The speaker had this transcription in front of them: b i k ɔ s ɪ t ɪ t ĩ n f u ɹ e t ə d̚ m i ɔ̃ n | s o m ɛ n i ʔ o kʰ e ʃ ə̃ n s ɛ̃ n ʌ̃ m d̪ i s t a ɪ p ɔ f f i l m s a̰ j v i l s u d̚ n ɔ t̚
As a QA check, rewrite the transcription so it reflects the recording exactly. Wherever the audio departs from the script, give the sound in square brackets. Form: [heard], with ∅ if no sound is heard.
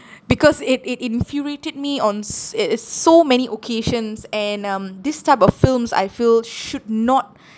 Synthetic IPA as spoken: b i k ɔ s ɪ t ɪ t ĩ n f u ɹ e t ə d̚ m i ɔ̃ n | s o m ɛ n i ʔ o kʰ e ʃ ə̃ n s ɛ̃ n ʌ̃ m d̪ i s t a ɪ p ɔ f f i l m s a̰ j [f] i l [ʃ] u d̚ n ɔ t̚